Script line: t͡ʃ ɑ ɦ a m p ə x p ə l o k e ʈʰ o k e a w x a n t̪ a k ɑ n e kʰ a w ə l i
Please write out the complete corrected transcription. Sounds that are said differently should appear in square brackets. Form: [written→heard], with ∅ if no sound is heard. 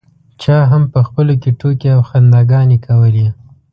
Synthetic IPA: t͡ʃ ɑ ɦ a m p ə x p ə l o k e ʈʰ o k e a w x a n [t̪→d̪] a [k→ɡ] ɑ n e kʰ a w ə l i